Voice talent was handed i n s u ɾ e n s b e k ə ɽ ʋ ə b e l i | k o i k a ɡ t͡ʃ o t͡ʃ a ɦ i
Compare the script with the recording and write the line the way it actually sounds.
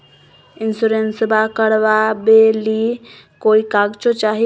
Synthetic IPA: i n s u ɾ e n s b a k ə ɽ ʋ a b e l i | k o i k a ɡ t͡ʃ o t͡ʃ a ɦ i